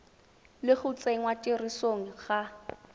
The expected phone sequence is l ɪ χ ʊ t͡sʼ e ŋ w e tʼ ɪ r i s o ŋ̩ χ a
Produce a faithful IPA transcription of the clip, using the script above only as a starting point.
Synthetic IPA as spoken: l ɪ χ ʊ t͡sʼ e ŋ w a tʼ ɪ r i s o ŋ̩ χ a